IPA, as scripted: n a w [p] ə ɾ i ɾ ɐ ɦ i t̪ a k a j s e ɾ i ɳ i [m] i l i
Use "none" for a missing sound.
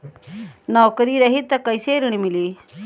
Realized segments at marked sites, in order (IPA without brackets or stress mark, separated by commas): k, m